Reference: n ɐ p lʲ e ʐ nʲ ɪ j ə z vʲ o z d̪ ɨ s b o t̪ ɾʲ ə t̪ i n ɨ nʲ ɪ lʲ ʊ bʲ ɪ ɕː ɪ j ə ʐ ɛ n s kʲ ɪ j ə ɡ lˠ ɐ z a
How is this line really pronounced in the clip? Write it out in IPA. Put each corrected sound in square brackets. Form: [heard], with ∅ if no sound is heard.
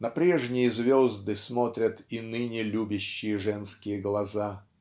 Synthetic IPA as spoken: n ɐ p [ɾʲ] e ʐ nʲ ɪ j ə z vʲ o z d̪ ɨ s [m] o t̪ ɾʲ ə t̪ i n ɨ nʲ ɪ lʲ [u] bʲ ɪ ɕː ɪ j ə ʐ ɛ n s kʲ ɪ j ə ɡ lˠ ɐ z a